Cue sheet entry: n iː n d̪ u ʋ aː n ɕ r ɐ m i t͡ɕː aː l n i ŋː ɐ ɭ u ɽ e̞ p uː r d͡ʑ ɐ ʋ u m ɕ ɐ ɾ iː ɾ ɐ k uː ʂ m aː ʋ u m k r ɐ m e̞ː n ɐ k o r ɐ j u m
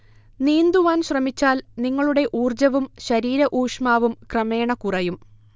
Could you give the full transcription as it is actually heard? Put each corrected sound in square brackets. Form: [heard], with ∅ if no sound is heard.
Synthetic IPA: n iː n d̪ u ʋ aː n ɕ r ɐ m i t͡ɕː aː l n i ŋː ɐ ɭ u ɽ e̞ [ʔ] uː r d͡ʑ ɐ ʋ u m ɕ ɐ ɾ iː ɾ ɐ [ʔ] uː ʂ m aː ʋ u m k r ɐ m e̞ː [ɳ] ɐ k [u] r ɐ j u m